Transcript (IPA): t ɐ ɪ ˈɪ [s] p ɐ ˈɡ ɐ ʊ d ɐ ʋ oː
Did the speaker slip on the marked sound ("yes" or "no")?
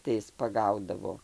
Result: no